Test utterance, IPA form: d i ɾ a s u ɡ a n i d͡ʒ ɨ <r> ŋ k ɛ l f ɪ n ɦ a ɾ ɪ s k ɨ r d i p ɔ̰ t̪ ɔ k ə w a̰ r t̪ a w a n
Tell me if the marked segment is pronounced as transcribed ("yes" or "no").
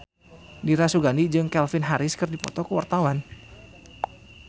no